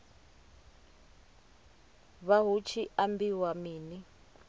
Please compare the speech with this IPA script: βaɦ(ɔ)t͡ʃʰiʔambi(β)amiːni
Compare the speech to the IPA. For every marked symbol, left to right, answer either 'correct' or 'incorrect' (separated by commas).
incorrect, incorrect